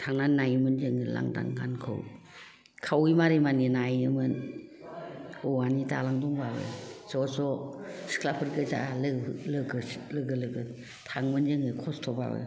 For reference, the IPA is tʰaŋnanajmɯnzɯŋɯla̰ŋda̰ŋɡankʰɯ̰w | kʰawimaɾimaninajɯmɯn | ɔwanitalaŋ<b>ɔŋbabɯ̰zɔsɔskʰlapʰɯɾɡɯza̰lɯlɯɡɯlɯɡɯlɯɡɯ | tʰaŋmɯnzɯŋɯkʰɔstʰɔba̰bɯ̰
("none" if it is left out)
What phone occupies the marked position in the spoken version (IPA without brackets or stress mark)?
d